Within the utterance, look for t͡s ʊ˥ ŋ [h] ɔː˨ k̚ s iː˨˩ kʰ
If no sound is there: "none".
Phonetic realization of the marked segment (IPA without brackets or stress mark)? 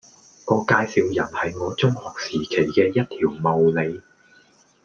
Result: h